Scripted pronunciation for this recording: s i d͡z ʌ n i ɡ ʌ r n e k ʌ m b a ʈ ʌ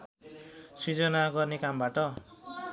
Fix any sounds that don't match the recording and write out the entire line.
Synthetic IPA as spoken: s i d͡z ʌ n a ɡ ʌ r n e k a m b a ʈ ʌ